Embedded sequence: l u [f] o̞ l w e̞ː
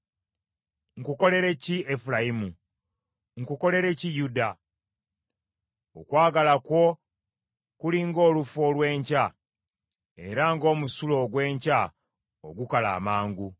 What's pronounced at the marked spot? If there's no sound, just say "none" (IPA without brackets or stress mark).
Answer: f